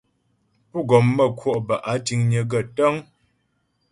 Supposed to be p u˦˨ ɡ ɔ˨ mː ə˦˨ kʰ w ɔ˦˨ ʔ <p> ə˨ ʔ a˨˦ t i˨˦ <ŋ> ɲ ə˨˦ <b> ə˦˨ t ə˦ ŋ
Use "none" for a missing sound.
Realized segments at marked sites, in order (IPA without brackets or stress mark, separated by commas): b, ŋ, ɡ